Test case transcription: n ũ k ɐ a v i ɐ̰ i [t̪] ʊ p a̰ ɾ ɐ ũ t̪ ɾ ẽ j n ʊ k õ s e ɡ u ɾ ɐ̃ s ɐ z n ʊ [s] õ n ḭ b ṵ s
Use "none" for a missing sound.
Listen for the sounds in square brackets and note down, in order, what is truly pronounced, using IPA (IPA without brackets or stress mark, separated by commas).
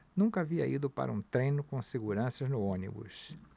d̪, none